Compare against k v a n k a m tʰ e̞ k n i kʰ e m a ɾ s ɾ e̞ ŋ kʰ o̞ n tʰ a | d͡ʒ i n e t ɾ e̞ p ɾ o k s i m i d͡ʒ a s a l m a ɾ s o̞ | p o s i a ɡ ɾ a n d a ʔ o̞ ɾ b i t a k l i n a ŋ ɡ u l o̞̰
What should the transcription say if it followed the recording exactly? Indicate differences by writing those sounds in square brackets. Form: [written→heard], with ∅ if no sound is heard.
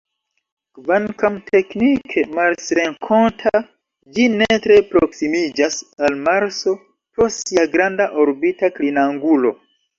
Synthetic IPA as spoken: k v a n k a m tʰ e̞ k n i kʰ e m a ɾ s ɾ e̞ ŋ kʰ o̞ n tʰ a | d͡ʒ i n e t ɾ e̞ p ɾ o k s i m i d͡ʒ a s a l m a ɾ s o̞ | p o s i a ɡ ɾ a n d a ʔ o̞ ɾ b i t a k l i n a ŋ ɡ u l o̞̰